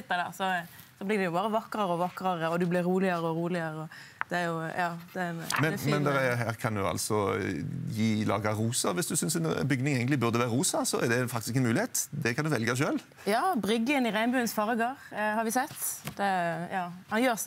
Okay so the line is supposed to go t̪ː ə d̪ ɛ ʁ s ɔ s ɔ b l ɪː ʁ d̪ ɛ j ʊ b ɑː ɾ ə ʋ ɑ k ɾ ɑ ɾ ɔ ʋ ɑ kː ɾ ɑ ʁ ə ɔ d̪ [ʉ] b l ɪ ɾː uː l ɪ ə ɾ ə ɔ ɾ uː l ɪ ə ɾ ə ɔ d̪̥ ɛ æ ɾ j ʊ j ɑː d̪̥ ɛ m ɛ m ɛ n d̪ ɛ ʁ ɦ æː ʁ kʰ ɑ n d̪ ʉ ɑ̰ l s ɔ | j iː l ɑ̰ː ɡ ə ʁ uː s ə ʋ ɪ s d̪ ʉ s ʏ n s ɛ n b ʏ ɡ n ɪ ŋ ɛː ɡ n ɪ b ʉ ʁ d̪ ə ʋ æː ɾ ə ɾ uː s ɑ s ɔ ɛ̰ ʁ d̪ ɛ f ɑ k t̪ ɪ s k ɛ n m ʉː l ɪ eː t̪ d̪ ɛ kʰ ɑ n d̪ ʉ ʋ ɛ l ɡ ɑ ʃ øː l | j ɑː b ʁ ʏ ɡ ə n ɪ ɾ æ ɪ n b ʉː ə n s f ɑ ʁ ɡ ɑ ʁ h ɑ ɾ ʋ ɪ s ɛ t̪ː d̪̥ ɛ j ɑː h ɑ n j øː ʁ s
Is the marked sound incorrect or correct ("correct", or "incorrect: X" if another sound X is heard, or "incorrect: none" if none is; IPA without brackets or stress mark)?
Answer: correct